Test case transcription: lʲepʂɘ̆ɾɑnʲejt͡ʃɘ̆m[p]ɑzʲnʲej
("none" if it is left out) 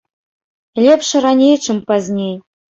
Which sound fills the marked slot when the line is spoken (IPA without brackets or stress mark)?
p